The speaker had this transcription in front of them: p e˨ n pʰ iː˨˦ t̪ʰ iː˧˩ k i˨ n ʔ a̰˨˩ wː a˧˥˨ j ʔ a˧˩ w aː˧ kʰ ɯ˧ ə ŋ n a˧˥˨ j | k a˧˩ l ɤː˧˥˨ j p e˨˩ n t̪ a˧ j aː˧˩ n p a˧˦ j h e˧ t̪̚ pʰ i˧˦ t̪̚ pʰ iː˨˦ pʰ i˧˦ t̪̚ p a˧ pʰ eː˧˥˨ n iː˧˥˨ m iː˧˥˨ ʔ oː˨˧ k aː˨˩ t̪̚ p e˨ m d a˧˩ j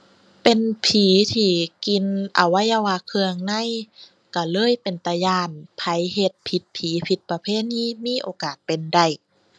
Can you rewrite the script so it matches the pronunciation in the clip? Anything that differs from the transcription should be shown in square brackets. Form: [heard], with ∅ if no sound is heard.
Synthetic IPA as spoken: p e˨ n pʰ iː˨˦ t̪ʰ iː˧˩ k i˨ n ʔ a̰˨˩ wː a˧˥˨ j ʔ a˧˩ w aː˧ kʰ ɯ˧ ə ŋ n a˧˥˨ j | k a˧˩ l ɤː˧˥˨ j p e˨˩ n t̪ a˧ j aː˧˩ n [pʰ] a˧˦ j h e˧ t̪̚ pʰ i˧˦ t̪̚ pʰ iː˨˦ pʰ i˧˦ t̪̚ p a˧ pʰ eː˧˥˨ n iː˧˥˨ m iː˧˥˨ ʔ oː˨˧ k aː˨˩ t̪̚ p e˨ [n] d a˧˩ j